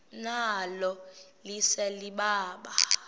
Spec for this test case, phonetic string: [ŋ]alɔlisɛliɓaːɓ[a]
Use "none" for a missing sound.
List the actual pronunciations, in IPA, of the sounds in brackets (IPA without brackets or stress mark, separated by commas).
n, a